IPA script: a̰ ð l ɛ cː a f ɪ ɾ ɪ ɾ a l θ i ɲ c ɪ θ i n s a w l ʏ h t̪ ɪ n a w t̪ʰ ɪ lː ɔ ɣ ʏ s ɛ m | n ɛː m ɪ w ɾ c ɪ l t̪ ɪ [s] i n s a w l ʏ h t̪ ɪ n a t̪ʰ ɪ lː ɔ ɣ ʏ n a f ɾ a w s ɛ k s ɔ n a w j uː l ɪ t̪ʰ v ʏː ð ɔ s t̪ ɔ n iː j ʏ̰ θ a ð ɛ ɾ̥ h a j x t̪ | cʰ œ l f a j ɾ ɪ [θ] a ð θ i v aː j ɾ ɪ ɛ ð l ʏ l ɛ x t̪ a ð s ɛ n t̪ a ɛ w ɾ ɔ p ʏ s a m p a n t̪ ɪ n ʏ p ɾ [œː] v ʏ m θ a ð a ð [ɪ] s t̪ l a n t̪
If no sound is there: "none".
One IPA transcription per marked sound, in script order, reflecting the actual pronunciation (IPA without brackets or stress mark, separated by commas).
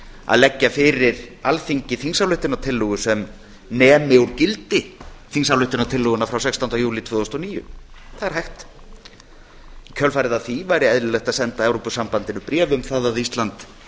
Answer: θ, ð, ɛː, i